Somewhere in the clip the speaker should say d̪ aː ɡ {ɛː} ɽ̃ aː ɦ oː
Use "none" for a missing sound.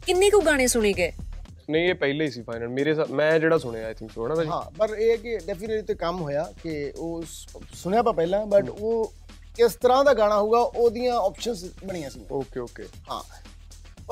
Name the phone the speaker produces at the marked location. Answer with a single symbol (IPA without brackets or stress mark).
aː